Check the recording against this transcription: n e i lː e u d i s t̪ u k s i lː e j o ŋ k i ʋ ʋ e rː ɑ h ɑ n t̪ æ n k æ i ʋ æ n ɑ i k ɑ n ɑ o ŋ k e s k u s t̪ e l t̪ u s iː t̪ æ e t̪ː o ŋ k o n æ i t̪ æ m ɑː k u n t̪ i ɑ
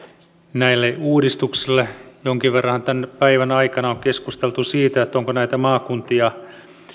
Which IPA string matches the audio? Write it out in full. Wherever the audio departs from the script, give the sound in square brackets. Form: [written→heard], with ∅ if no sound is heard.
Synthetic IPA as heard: n [e→æ] i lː e [u→uː] d i s t̪ u k s i lː e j o ŋ k i ʋ ʋ e rː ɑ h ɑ n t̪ æ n [k→p] æ i ʋ æ n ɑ i k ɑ n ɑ o ŋ k e s k u s t̪ e l t̪ u s iː t̪ æ e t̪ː o ŋ k o n æ i t̪ æ m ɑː k u n t̪ i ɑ

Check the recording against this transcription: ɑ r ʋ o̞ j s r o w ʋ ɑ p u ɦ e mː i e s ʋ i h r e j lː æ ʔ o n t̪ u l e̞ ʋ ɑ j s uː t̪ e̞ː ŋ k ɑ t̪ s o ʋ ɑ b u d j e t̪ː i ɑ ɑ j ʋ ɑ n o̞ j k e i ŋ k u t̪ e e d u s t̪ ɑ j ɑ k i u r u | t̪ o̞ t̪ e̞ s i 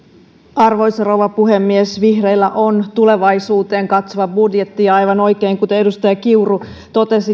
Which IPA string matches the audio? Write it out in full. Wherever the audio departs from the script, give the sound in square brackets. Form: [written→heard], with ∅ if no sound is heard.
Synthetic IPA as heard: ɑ r ʋ o̞ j s r o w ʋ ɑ p u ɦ e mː i e s ʋ i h r e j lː æ ʔ o n t̪ u l e̞ ʋ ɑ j s uː t̪ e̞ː ŋ k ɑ t̪ s o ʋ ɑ b u d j e t̪ː i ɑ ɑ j ʋ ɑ n o̞ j k e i ŋ k u t̪ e e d u s t̪ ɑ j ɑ k i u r u | t̪ o̞ t̪ e̞ s i

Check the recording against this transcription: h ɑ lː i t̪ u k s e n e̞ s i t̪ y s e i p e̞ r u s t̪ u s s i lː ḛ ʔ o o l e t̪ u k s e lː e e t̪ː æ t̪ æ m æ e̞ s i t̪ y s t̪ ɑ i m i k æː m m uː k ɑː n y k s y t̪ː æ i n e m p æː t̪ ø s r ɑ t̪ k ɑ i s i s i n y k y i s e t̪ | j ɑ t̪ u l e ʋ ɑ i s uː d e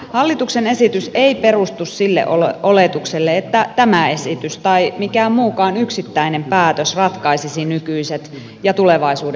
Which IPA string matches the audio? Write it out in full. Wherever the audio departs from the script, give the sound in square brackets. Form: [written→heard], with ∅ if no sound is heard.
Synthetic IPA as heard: h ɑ lː i t̪ u k s e n e̞ s i t̪ y s e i p e̞ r u s t̪ u s s i lː ḛ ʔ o o l e t̪ u k s e lː e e t̪ː æ t̪ æ m æ e̞ s i t̪ y s t̪ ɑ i m i k æː m m uː k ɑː n y k s [y→i] t̪ː æ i n e m p æː t̪ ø s r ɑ t̪ k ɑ i s i s i n y k y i s e t̪ | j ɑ t̪ u l e ʋ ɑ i s uː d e

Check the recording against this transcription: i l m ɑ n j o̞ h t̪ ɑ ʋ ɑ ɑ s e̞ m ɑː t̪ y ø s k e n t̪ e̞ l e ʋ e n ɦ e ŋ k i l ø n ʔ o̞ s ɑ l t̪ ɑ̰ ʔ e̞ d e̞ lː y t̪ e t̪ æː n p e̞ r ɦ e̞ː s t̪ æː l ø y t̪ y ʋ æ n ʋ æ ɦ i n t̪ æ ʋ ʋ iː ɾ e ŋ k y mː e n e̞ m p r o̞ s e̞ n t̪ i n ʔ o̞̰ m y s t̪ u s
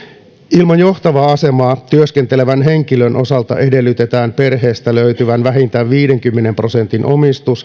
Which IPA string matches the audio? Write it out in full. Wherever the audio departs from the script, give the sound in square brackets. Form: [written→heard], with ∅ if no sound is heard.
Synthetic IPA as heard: i l m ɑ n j o̞ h t̪ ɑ ʋ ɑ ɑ s e̞ m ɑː t̪ y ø s k e n t̪ e̞ l e ʋ [e→æ] n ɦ e ŋ k i l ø n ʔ o̞ s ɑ l t̪ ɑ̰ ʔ e̞ d e̞ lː y t̪ e t̪ æː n p e̞ r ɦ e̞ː s t̪ [æː→æ] l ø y t̪ y ʋ æ n ʋ æ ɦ i n t̪ æ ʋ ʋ iː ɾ e ŋ k y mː e n e̞ m p r o̞ s e̞ n t̪ i n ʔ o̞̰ m [y→i] s t̪ u s

